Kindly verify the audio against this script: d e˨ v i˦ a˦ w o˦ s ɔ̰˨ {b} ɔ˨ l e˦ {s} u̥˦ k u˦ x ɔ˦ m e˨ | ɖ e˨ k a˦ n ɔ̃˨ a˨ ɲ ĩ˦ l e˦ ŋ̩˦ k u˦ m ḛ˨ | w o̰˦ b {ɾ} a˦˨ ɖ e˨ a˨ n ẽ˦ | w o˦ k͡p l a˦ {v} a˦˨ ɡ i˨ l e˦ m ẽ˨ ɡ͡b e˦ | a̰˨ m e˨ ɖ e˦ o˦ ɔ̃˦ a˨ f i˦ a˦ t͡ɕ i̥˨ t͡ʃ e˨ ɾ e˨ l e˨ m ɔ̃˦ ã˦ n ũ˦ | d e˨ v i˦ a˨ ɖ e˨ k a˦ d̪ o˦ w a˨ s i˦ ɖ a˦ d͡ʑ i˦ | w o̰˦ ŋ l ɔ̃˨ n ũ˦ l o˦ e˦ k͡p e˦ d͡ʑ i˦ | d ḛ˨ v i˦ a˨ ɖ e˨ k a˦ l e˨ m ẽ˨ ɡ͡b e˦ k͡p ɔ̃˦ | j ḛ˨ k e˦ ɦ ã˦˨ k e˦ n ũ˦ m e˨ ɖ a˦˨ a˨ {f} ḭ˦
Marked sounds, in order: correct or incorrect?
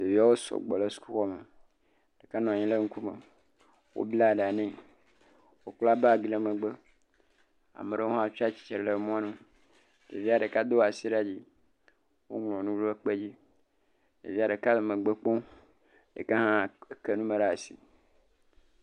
incorrect: ɡ͡b, correct, incorrect: l, incorrect: b, incorrect: s

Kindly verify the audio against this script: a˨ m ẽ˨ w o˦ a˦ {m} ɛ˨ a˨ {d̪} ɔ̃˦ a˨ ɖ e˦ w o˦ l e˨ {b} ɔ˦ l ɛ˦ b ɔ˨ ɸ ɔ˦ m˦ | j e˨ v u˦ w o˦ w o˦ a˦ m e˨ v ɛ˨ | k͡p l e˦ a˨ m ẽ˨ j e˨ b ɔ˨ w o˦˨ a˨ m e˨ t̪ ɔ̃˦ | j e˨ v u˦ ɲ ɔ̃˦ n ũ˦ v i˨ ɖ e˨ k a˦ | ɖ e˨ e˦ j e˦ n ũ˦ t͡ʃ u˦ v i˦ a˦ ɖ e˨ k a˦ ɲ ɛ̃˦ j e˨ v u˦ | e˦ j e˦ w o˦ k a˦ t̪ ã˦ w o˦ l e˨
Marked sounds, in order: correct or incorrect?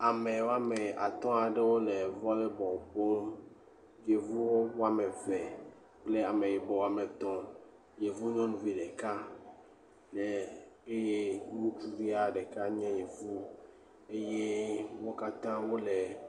correct, incorrect: t̪, incorrect: v

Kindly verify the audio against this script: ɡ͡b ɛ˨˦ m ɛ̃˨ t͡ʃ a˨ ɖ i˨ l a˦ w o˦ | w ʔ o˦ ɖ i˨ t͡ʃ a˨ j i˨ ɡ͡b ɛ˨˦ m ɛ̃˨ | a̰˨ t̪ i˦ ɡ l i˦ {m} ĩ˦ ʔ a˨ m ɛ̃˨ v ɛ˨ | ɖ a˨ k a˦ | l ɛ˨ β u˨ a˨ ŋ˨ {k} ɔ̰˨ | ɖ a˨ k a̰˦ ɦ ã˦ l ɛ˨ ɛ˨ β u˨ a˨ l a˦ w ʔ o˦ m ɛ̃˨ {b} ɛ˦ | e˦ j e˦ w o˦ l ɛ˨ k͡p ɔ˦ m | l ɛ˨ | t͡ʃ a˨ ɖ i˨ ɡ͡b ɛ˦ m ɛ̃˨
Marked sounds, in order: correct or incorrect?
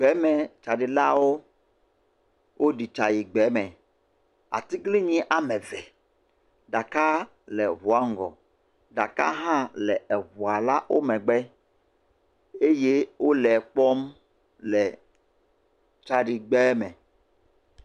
incorrect: ɲ, incorrect: ɡ, incorrect: ɡ͡b

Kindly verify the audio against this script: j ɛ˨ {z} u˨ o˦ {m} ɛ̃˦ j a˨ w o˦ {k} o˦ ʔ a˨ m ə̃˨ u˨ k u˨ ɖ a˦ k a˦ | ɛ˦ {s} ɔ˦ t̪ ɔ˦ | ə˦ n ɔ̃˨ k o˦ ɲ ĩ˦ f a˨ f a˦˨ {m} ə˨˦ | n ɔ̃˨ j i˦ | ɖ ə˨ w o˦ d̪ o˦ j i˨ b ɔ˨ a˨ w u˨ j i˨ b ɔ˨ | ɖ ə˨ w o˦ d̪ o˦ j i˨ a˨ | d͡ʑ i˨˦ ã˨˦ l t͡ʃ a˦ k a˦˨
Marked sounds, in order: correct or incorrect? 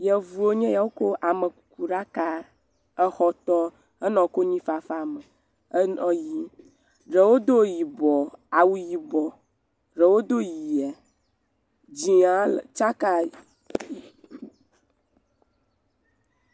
incorrect: v, incorrect: ɲ, correct, incorrect: x, correct

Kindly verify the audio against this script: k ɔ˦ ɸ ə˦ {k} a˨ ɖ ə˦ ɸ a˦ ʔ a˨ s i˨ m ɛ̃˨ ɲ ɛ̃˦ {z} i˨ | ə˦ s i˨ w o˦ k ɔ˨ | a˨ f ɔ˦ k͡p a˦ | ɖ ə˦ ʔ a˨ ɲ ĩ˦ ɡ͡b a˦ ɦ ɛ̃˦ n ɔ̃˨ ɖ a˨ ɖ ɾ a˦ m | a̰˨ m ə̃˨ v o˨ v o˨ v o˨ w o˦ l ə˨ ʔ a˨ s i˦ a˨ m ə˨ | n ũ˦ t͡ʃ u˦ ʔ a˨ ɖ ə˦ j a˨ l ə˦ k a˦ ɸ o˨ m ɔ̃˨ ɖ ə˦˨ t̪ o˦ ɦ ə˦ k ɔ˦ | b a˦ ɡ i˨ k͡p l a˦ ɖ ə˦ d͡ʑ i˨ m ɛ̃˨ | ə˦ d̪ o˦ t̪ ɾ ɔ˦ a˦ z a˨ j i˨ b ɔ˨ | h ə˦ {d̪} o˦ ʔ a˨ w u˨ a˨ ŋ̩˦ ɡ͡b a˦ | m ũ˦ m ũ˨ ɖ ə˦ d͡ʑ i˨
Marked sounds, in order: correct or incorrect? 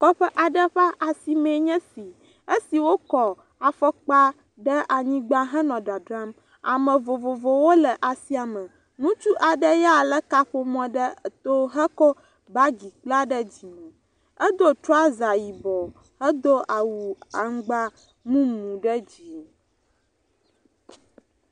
incorrect: ʔ, incorrect: s, correct

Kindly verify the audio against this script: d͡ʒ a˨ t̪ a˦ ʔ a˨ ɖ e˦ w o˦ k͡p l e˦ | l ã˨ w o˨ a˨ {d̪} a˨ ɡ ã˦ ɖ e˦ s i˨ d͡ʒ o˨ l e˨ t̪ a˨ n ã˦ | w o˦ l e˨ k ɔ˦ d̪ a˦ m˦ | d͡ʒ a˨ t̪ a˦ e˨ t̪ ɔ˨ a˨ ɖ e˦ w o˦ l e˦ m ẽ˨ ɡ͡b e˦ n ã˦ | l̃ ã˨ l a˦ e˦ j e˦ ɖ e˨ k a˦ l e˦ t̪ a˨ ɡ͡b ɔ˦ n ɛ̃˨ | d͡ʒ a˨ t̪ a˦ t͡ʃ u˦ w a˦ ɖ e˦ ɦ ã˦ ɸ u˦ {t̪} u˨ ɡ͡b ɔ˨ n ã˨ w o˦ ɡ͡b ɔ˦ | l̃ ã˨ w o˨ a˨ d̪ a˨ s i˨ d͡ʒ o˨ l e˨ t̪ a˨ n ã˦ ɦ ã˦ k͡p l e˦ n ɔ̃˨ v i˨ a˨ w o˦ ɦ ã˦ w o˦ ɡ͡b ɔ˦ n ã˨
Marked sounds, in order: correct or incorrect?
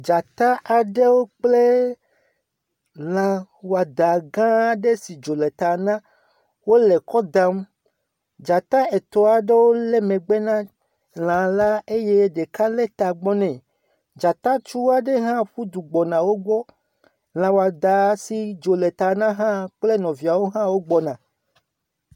correct, incorrect: d̪

